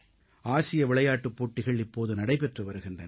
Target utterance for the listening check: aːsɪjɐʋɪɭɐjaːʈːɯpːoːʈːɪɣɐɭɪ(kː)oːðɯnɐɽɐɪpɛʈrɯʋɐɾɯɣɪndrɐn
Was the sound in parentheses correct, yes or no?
no